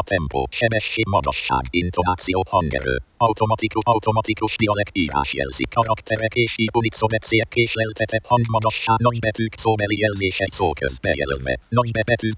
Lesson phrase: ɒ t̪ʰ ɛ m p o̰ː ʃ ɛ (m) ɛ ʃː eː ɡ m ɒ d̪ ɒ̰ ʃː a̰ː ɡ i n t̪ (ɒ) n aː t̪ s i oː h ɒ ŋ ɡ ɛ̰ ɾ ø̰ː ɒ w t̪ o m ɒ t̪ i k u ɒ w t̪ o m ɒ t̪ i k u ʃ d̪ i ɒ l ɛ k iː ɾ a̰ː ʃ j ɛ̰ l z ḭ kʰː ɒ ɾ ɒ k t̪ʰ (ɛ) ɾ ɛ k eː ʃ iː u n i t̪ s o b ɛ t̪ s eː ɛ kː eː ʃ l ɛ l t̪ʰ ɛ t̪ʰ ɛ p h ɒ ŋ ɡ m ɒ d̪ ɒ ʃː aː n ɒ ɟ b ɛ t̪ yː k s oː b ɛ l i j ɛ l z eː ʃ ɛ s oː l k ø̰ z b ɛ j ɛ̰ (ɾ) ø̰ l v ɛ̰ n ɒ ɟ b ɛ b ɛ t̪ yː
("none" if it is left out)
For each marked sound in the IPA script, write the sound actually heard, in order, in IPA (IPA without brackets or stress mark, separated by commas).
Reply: b, o, ɛ, l